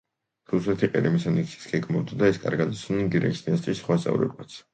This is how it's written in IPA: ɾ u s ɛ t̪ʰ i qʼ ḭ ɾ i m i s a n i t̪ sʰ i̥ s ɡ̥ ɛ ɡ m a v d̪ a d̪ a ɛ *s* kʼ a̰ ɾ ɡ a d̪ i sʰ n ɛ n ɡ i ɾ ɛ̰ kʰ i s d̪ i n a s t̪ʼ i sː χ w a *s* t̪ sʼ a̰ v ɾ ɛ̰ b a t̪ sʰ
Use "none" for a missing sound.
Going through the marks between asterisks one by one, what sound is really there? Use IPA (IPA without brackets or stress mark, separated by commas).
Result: s, s